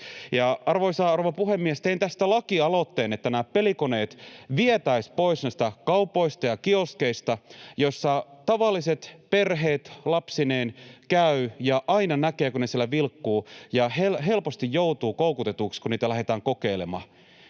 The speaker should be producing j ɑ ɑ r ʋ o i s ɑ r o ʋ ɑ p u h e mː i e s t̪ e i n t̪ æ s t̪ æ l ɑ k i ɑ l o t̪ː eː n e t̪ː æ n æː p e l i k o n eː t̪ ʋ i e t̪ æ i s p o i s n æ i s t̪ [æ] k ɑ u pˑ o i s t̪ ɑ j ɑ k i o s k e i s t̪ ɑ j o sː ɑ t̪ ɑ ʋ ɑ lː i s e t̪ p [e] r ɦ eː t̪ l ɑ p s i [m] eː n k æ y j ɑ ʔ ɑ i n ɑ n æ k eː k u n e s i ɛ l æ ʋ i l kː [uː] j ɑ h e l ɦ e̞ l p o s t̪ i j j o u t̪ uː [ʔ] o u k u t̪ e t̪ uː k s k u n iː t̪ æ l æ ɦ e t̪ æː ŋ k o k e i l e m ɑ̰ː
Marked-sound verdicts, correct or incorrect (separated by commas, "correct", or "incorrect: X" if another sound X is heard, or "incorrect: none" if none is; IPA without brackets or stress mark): correct, correct, incorrect: n, correct, incorrect: k